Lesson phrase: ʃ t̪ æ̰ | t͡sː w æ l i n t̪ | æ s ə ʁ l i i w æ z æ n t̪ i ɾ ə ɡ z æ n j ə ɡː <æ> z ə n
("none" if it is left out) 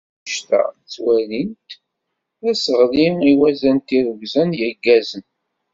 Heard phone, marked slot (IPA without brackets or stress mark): æ